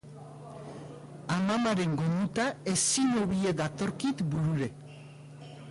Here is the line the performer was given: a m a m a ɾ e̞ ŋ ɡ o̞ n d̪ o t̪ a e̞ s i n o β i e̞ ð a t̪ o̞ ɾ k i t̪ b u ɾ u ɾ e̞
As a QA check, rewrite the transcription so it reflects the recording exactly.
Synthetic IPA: a m a m a ɾ e̞ ŋ ɡ o̞ n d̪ u t̪ a e̞ s i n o β i e̞ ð a t̪ o̞ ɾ k i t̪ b u ɾ u ɾ e̞